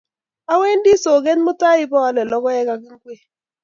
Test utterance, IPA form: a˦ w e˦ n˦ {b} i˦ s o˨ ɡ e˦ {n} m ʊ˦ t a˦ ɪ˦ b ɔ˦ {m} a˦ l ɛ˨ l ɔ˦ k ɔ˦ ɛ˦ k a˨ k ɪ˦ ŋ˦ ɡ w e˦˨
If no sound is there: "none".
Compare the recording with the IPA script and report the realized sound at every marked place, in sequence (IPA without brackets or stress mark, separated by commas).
d, n, none